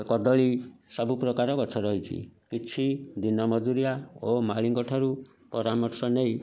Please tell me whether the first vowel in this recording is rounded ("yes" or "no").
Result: yes